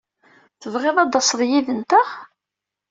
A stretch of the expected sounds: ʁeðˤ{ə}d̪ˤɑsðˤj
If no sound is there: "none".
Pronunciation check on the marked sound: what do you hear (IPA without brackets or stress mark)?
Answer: ɑ